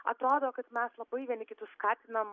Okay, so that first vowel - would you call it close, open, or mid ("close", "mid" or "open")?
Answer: open